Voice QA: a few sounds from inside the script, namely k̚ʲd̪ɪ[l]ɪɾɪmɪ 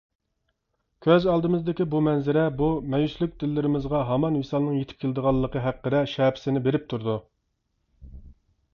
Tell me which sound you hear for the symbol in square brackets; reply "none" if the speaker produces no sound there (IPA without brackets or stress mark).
lː